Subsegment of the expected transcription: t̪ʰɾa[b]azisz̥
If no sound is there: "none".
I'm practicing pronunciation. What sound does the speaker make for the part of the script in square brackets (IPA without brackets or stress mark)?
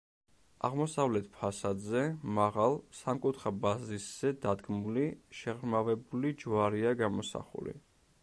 b